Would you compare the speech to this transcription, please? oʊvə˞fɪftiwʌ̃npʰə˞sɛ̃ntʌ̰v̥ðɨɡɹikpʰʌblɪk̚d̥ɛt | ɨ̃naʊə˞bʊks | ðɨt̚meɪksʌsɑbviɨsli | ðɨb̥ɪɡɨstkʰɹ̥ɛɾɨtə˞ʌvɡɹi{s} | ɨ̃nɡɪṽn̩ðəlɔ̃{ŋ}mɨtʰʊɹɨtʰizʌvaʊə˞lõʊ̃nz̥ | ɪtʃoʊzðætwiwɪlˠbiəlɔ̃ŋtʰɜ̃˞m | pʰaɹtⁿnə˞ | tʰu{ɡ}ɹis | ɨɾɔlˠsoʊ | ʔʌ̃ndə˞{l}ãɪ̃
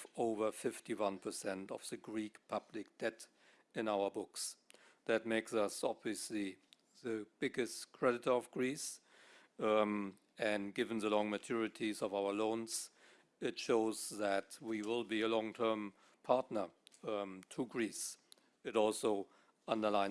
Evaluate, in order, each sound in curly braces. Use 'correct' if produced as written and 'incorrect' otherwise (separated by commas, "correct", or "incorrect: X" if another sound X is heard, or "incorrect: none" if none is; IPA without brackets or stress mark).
correct, correct, correct, correct